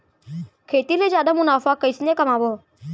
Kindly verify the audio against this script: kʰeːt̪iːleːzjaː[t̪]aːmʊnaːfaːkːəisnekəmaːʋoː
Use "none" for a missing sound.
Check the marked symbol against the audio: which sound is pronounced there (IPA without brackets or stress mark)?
d̪